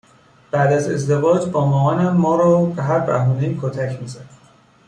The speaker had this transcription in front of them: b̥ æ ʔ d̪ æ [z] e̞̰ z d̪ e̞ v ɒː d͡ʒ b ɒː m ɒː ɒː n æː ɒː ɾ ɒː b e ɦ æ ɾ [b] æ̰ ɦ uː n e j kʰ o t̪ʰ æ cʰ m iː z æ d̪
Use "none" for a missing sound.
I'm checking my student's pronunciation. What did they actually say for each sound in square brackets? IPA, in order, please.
z, b

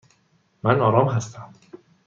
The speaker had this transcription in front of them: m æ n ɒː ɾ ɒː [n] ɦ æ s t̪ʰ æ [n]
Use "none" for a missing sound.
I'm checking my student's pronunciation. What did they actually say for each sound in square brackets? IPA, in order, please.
m, m

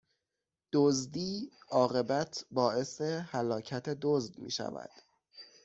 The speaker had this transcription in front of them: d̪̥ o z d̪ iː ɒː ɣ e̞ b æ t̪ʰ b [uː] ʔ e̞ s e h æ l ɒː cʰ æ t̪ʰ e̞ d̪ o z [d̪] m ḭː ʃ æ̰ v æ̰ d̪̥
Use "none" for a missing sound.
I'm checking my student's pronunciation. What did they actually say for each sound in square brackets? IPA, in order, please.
ɒː, d̪

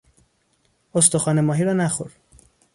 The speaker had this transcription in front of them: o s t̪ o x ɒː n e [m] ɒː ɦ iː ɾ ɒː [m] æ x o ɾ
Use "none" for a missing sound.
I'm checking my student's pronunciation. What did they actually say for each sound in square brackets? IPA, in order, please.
m, n

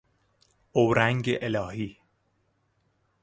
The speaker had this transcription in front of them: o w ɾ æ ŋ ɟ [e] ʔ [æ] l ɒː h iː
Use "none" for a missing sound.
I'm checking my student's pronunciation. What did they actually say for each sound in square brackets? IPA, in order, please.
e, e

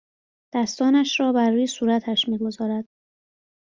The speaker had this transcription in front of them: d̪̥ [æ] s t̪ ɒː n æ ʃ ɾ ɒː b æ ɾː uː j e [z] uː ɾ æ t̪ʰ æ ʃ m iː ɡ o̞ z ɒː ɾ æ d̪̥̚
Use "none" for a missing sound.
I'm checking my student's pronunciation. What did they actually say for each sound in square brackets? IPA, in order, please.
æ, s

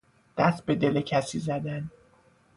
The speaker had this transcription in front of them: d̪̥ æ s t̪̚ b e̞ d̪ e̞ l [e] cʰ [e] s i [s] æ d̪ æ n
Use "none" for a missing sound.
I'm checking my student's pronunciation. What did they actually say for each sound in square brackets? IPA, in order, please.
e, æ, z

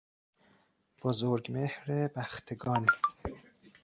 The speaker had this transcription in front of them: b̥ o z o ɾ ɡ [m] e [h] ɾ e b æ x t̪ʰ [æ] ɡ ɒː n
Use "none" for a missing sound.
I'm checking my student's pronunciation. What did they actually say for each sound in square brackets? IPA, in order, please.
m, h, e

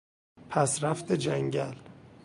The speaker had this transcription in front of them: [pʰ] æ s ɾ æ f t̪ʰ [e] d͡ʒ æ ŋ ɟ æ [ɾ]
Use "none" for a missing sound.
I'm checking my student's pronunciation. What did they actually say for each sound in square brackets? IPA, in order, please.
pʰ, e, l

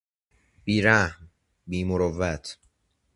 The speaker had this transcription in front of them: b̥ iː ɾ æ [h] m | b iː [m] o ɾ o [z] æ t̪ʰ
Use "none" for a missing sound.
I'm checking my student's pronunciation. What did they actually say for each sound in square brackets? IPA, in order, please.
h, m, v

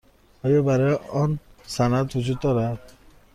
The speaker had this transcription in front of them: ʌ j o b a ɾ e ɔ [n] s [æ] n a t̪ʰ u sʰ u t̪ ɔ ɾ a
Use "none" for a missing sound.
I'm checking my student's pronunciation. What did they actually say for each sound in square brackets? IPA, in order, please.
n, a

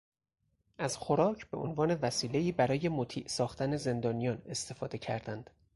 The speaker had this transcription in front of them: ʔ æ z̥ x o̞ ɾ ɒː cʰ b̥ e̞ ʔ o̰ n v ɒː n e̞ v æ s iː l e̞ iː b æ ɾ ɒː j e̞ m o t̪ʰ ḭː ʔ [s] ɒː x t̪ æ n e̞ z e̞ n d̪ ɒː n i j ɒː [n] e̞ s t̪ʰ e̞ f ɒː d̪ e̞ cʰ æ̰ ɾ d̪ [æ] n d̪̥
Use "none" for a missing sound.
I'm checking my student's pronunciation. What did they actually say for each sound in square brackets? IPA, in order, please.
s, n, æ

